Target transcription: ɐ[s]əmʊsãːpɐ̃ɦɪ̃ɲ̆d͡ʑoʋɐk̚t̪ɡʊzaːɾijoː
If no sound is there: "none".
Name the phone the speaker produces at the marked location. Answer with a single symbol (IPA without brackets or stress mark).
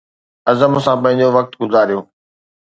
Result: z